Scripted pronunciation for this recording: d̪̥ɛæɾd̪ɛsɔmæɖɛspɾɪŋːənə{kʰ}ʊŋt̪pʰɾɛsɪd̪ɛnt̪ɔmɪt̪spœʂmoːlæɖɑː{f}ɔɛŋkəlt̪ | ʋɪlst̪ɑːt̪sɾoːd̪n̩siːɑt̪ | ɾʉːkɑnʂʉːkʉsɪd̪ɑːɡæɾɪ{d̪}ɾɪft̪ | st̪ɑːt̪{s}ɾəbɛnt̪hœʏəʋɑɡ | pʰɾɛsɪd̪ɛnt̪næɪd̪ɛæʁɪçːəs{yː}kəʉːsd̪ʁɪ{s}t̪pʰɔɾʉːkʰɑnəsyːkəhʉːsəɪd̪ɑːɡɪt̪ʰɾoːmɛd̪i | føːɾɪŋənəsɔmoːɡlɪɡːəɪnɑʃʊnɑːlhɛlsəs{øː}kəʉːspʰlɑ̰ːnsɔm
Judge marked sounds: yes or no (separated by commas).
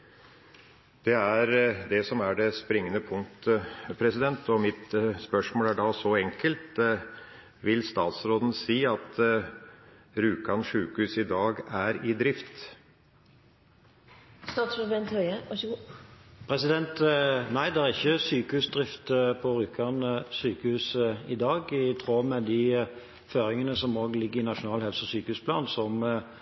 no, no, yes, yes, yes, no, no